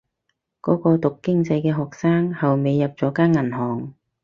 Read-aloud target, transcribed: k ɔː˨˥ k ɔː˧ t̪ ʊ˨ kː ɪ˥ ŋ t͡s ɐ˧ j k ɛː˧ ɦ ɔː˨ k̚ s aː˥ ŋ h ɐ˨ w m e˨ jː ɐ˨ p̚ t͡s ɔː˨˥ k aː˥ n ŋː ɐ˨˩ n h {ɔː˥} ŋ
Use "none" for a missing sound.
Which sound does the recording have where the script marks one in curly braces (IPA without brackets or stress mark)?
ɔː˨˩